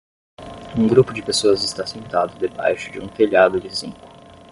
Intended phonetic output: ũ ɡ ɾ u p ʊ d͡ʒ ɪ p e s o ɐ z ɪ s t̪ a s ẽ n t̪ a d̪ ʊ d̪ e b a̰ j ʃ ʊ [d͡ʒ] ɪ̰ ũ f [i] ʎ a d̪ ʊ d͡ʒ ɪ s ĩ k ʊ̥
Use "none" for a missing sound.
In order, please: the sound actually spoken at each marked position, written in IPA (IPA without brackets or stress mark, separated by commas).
d͡ʒ, e